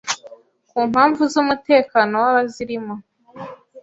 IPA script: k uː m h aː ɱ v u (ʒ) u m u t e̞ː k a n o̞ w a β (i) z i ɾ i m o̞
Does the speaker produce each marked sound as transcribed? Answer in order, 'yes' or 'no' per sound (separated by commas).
no, no